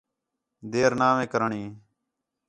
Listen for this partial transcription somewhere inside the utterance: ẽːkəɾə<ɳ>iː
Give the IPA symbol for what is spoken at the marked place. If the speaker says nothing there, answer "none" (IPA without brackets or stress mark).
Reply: ɳ